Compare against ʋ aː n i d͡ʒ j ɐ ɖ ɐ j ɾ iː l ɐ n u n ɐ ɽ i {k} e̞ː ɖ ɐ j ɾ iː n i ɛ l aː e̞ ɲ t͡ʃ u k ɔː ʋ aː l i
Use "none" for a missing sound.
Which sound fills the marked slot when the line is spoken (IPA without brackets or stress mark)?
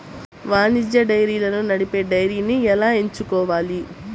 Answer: p